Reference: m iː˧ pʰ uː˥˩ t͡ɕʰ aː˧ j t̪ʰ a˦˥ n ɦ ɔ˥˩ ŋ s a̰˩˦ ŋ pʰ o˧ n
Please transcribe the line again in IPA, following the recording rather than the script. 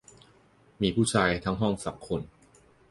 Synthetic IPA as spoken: m iː˧ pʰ uː˥˩ t͡ɕʰ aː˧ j t̪ʰ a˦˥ ŋ ɦ ɔ˥˩ ŋ s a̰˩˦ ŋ kʰ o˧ n